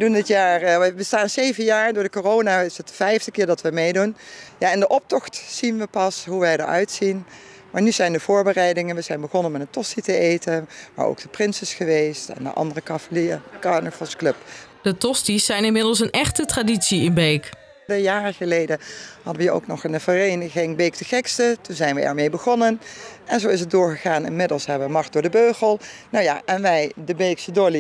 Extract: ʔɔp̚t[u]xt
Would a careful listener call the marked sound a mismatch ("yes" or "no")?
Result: yes